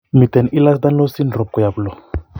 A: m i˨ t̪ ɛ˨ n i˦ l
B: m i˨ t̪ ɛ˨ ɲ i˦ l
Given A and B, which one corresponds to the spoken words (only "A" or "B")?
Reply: A